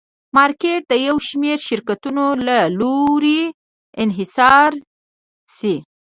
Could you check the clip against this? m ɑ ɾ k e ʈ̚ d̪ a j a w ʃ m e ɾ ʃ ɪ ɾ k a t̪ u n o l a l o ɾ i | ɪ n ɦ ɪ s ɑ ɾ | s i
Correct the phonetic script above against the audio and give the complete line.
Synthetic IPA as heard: m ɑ ɾ k e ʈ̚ d̪ ə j a w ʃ m e ɾ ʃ ɪ ɾ k a t̪ u n o l a l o ɾ i | ɪ n ɦ ɪ s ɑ ɾ | s i

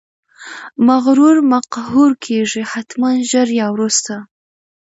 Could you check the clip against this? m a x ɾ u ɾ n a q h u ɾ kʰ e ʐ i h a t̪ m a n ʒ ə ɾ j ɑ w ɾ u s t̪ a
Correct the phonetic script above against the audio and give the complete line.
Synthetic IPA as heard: m a ɣ ɾ u ɾ m a q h u ɾ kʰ e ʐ i h a t̪ m a n ʒ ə ɾ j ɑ w ɾ u s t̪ a

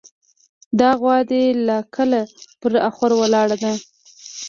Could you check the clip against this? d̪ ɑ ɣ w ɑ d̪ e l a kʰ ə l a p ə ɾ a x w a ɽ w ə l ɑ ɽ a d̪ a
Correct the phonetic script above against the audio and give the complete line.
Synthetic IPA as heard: d̪ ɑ ɣ w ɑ d̪ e l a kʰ ə l a p ə ɾ a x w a ɾ w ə l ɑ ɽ a d̪ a

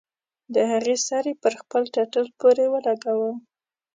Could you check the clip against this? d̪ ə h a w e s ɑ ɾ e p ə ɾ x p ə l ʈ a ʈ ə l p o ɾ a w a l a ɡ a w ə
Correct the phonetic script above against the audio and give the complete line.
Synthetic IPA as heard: d̪ ə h a ɣ e s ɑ ɾ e p ə ɾ x p ə l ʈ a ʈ ə l p o ɾ e w ə l a ɡ a w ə

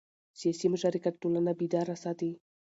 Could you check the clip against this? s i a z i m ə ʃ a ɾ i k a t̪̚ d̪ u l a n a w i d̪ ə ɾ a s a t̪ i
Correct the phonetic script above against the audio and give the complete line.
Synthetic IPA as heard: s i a s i m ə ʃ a ɾ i k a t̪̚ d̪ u l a n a b i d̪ a ɾ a s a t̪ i

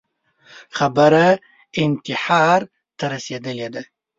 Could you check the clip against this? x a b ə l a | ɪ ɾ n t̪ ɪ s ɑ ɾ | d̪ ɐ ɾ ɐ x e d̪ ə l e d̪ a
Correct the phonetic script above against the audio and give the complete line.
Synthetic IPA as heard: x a b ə ɾ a | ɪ n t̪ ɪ ħ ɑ ɾ | t̪ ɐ ɾ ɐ s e d̪ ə l e d̪ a

